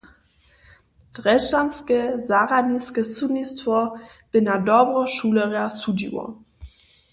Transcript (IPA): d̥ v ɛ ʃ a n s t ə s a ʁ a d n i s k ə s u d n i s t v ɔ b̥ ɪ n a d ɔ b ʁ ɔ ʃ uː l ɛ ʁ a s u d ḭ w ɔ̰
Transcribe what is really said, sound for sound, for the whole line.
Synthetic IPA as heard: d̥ ʁ ɛ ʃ a n s k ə z a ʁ a d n i s k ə s u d n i s t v ɔ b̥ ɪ n a d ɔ b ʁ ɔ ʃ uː l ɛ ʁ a s u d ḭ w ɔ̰